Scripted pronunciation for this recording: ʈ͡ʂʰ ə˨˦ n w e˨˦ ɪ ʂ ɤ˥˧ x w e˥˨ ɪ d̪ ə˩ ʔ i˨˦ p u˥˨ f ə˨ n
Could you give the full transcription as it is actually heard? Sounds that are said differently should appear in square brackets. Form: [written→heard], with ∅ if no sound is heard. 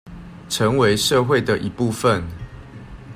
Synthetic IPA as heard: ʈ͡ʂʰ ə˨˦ [n→ŋ] w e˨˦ ɪ ʂ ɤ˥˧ x w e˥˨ ɪ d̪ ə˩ ʔ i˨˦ p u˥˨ f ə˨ n